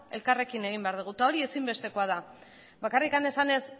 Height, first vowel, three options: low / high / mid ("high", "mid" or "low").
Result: mid